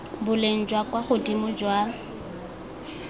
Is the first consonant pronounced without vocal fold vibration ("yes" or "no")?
no